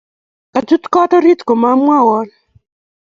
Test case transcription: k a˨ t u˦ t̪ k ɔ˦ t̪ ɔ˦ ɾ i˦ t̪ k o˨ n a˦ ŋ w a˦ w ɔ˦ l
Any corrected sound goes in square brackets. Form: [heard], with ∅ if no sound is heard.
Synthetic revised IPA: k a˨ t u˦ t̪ k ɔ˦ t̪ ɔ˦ ɾ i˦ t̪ k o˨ [m] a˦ [m] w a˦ w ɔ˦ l